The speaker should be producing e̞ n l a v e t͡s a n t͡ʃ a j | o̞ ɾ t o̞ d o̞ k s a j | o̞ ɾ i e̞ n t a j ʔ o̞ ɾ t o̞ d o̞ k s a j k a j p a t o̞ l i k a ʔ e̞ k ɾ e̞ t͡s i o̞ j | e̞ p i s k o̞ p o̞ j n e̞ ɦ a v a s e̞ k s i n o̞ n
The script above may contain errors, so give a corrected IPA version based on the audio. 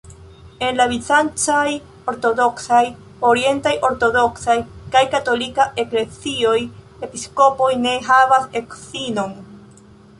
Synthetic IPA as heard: e̞ n l a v i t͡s a n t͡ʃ a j | o̞ ɾ t o̞ d o̞ k s a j | o̞ ɾ i e̞ n t a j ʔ o̞ ɾ t o̞ d o̞ k s a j k a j k a t o̞ l i k a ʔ e̞ k l e̞ t͡s i o̞ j | e̞ p i s k o̞ p o̞ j n e̞ ɦ a v a s e̞ k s i n o̞ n